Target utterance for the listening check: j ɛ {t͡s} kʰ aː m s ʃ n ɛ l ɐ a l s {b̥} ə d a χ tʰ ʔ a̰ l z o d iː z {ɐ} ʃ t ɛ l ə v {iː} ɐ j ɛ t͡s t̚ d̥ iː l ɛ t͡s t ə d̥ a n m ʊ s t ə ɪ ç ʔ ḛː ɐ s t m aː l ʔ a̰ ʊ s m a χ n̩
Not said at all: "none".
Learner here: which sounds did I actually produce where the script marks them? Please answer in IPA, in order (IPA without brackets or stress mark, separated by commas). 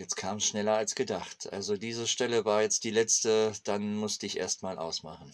t͡s, ɡ̥, ə, aː